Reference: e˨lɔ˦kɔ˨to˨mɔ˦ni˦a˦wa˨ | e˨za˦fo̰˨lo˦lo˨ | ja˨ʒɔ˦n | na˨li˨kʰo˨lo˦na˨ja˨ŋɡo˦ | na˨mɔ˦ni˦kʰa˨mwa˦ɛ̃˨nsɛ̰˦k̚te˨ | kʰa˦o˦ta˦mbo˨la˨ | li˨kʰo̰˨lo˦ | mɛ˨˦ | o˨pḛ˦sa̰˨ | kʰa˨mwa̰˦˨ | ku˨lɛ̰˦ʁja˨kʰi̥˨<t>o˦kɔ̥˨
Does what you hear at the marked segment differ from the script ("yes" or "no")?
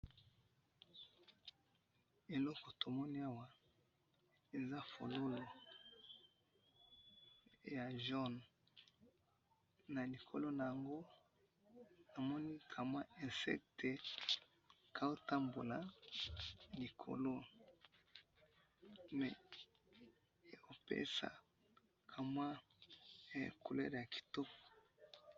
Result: no